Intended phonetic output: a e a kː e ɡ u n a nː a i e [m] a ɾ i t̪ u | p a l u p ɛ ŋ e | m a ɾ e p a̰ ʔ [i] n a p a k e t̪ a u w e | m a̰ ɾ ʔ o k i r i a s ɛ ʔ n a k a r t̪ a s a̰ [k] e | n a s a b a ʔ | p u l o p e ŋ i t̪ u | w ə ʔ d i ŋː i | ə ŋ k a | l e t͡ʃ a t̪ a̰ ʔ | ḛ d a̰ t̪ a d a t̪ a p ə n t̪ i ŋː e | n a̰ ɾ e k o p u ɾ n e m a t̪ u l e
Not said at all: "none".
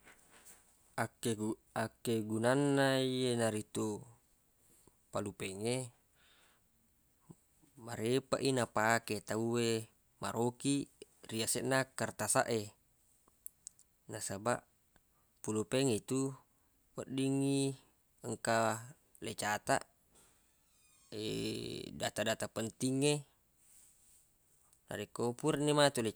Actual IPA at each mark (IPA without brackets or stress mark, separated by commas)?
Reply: n, i, ʔ